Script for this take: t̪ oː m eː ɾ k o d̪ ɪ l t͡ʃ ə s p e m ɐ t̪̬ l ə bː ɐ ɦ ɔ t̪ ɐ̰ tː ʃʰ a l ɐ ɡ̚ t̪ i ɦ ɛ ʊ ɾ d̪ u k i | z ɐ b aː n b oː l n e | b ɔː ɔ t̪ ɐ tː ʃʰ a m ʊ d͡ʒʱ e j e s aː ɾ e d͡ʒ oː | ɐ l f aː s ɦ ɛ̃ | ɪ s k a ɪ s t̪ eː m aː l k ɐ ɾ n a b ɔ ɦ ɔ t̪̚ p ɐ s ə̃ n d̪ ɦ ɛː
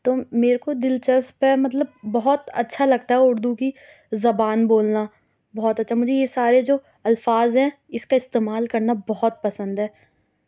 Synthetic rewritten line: t̪ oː m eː ɾ k o d̪ ɪ l t͡ʃ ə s p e m ɐ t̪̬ l ə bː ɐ ɦ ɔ t̪ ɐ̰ tː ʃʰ a l ɐ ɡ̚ t̪ a ɦ ɛ ʊ ɾ d̪ u k i | z ɐ b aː n b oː l n a | b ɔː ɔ t̪ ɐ tː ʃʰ a m ʊ d͡ʒʱ e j e s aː ɾ e d͡ʒ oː | ɐ l f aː z ɦ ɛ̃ | ɪ s k a ɪ s t̪ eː m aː l k ɐ ɾ n a b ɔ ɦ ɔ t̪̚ p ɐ s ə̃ n d̪ ɦ ɛː